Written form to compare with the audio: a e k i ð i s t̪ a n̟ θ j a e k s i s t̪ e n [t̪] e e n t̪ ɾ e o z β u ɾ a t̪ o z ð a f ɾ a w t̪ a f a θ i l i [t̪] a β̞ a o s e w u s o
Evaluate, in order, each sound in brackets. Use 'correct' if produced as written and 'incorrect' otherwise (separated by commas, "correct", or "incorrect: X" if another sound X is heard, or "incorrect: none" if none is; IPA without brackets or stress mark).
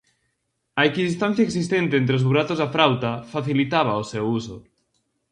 correct, correct